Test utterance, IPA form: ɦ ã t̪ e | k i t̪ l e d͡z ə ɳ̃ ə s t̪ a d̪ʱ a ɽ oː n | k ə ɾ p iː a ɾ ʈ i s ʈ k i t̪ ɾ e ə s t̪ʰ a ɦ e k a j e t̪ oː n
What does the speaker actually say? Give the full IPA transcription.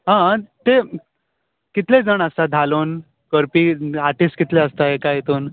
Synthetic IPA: ɦ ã t̪ e | k i t̪ l e d͡z ə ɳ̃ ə s t̪ a d̪ʱ a l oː n | k ə ɾ p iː a ɾ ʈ i s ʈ k i t̪ l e ə s t̪ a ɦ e k a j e t̪ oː n